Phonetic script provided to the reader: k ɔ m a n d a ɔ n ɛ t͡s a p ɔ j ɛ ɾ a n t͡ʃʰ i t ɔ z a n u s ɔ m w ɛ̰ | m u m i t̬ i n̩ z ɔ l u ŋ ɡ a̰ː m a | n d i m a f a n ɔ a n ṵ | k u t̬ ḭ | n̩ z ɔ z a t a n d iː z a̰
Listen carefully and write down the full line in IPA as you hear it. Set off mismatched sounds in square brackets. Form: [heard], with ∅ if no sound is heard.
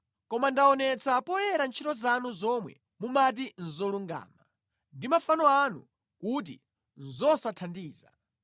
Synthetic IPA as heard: k ɔ m a n d a ɔ n ɛ t͡s a p ɔ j ɛ ɾ a n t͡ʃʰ i t ɔ z a n u [z] ɔ m w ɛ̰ | m u m [a] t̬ i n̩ z ɔ l u ŋ ɡ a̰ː m a | n d i m a f a n ɔ a n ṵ | k u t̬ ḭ | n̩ z ɔ [s] a [tʰ] a n d iː z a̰